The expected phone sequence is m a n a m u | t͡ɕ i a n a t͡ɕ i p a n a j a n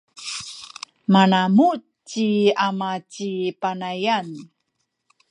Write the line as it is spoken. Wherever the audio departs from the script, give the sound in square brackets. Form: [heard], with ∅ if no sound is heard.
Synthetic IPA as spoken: m a n a m u | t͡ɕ i a [m] a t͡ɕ i p a n a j a n

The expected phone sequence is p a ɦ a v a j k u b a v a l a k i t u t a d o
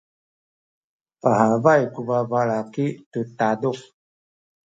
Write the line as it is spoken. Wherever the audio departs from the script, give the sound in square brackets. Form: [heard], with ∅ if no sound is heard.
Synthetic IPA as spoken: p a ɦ a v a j k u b a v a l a k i t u t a d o

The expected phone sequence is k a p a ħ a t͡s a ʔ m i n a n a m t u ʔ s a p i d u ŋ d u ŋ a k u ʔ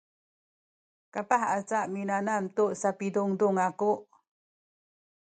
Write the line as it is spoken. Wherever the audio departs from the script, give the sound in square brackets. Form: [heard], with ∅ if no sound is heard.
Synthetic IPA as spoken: k a p a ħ a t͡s a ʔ m i n a n a m t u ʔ s a p i d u ŋ d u ŋ a k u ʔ

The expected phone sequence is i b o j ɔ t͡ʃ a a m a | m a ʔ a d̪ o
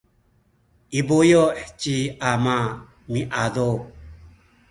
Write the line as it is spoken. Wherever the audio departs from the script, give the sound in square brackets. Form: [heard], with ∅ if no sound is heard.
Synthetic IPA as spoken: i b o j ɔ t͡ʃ [i] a m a | m [i] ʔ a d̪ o

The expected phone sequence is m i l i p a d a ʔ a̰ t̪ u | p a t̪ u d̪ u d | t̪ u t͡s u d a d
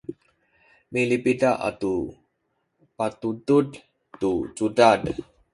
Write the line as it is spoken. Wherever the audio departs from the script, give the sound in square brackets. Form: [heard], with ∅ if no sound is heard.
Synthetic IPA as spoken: m i l i p [i] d a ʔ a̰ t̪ u | p a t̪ u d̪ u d | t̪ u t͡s u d a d

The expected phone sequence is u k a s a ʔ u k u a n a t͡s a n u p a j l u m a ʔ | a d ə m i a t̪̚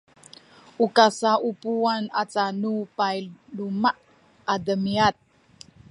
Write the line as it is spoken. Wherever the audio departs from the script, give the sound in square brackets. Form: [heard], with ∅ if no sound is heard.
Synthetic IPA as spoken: u k a s a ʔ u [p] u a n a t͡s a n u p a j l u m a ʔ | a d ə m i a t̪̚

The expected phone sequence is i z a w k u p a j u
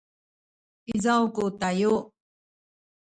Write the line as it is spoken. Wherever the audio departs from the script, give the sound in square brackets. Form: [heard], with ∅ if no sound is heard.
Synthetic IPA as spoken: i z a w k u [t] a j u

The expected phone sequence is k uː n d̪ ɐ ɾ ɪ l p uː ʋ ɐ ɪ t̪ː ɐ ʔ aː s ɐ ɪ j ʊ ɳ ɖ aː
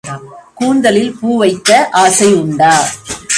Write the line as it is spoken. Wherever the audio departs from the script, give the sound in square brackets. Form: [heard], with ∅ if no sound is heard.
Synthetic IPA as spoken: k uː n d̪ ɐ [l] ɪ l p uː ʋ ɐ ɪ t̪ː ɐ ʔ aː s ɐ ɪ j ʊ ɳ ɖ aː

